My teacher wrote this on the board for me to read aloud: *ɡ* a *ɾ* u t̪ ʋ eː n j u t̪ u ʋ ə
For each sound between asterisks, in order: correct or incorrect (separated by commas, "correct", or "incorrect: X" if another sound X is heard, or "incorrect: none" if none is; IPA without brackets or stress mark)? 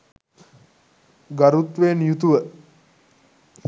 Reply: correct, correct